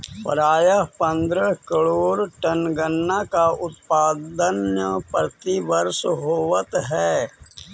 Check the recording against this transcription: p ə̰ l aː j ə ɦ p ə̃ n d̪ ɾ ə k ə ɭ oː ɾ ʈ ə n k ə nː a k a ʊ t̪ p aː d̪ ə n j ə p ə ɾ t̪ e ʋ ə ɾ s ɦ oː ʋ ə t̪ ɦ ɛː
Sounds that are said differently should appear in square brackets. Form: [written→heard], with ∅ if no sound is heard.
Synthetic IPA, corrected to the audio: p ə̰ [l→ɾ] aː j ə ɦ p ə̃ n d̪ ɾ ə k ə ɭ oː ɾ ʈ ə n [k→ɡ] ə nː a k a ʊ t̪ p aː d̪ ə n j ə p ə ɾ t̪ [e→i] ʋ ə ɾ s ɦ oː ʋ ə t̪ ɦ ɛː